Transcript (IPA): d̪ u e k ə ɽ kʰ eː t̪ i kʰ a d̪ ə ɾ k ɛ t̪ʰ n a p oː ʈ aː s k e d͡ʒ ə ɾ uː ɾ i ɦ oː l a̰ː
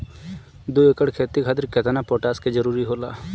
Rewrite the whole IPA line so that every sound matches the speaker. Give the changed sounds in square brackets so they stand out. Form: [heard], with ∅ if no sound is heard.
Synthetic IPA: d̪ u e k ə ɽ kʰ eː t̪ i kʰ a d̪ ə ɾ k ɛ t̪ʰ n a p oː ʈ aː s k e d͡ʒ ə ɾ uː ɾ i ɦ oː l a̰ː